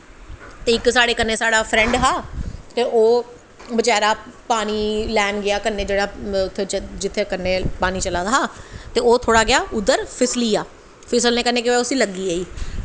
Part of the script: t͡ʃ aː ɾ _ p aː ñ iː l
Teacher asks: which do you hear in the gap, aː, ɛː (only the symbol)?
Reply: aː